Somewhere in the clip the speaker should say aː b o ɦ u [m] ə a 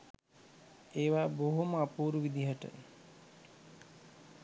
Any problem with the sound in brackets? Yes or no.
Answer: no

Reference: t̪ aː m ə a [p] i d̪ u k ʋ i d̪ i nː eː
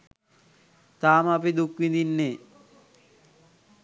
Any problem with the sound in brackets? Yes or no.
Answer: no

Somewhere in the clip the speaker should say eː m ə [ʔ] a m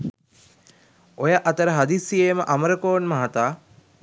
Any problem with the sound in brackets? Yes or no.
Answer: no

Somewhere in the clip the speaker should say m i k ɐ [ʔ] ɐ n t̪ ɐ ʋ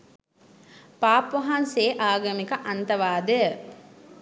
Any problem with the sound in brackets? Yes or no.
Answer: no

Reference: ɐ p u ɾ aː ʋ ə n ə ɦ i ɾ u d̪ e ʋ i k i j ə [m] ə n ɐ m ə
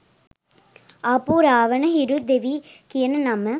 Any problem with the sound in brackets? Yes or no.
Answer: yes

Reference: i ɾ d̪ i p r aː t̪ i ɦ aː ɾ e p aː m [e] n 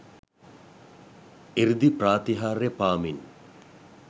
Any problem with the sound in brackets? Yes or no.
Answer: yes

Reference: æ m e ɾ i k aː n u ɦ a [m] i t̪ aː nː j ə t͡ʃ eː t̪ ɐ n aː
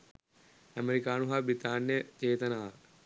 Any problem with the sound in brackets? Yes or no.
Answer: yes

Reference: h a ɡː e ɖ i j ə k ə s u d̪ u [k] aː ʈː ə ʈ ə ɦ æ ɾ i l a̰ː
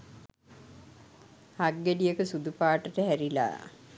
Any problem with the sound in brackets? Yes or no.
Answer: yes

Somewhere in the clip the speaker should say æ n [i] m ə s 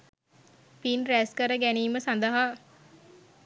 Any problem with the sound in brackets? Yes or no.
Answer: yes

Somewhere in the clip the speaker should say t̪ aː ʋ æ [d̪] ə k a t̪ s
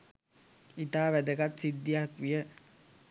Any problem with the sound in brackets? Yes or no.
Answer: no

